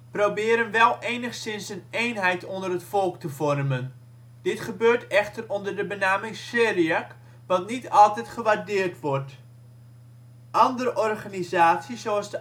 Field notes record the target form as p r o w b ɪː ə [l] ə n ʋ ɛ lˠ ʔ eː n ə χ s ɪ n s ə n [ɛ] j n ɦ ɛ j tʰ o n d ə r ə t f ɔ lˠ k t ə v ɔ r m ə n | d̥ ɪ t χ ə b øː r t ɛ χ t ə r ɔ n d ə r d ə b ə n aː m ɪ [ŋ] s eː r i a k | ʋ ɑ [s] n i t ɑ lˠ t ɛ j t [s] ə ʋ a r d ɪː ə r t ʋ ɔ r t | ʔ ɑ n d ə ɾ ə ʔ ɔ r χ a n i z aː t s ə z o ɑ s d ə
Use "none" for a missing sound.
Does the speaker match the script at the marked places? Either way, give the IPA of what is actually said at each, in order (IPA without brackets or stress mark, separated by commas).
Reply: ɾ, e, ŋ, t, χ